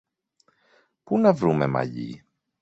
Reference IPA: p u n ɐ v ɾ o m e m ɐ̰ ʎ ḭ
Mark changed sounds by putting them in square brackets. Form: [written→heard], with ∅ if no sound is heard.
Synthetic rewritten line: p u n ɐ v ɾ [o→u] m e m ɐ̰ ʎ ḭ